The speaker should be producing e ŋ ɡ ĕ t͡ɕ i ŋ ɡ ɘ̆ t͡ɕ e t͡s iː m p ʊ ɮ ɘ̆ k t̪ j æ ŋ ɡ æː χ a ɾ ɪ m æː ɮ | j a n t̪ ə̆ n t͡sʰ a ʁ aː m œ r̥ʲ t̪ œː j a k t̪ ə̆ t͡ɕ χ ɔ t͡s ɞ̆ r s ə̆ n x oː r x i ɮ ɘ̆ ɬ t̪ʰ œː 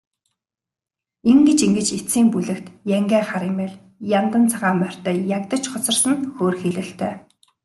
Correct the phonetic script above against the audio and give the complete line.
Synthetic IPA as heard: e ŋ ɡ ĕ t͡ɕ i ŋ ɡ ɘ̆ t͡ɕ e t͡s iː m p u ɮ ɘ̆ k t̪ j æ ŋ ɡ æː χ a ɾ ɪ m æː ɮ | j a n t̪ ə̆ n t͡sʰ a ʁ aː m œ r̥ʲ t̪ œː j a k t̪ ə̆ t͡ɕ χ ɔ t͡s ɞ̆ r s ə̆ n x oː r x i ɮ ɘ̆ ɬ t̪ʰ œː